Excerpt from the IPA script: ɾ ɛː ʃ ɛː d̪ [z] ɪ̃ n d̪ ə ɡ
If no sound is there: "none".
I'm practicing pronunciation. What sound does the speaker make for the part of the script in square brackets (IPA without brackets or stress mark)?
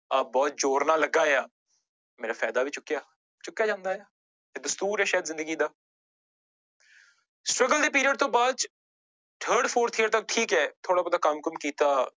z